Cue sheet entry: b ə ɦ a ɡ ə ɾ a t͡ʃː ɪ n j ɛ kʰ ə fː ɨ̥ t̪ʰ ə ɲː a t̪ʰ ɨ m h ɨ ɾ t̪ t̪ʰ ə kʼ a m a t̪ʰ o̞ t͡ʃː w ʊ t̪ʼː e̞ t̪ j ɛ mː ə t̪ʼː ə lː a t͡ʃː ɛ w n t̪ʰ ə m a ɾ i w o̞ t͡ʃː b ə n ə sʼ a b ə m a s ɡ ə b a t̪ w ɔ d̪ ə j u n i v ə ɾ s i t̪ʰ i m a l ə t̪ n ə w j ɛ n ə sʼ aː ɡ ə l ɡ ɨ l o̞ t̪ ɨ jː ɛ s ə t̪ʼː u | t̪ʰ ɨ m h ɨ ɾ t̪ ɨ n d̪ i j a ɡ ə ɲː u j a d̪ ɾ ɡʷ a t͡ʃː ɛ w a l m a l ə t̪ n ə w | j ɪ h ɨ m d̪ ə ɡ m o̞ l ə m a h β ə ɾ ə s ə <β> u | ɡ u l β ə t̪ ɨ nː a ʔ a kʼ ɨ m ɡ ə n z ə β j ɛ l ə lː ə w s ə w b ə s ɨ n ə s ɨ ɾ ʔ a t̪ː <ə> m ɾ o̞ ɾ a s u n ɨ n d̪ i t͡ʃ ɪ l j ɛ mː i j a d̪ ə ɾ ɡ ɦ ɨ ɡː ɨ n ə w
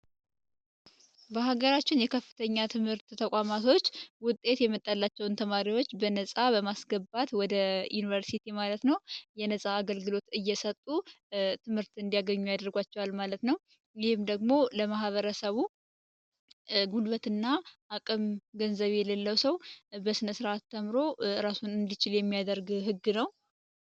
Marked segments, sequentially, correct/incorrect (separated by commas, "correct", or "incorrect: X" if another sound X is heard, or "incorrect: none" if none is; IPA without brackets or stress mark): correct, correct